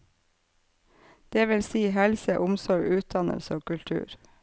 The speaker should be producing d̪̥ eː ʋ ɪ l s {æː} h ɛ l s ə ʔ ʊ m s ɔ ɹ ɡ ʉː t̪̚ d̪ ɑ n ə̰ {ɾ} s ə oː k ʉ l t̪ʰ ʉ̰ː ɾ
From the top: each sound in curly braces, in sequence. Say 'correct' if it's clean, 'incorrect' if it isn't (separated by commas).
incorrect, incorrect